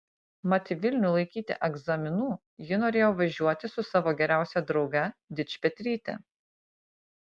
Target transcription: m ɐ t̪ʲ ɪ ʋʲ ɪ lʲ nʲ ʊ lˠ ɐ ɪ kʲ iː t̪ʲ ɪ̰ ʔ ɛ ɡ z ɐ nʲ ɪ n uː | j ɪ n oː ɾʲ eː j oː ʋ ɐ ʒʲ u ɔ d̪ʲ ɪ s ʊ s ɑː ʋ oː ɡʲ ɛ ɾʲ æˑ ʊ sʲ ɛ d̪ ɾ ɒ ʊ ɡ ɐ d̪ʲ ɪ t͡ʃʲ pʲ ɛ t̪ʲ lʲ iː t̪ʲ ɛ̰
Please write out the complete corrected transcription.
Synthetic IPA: m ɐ t̪ʲ ɪ ʋʲ ɪ lʲ nʲ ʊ lˠ ɐ ɪ kʲ iː t̪ʲ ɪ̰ ʔ ɛ ɡ z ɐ mʲ ɪ n uː | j ɪ n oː ɾʲ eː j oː ʋ ɐ ʒʲ u ɔ t̪ʲ ɪ s ʊ s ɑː ʋ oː ɡʲ ɛ ɾʲ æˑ ʊ sʲ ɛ d̪ ɾ ɒ ʊ ɡ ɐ d̪ʲ ɪ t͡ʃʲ pʲ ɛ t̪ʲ ɾʲ iː t̪ʲ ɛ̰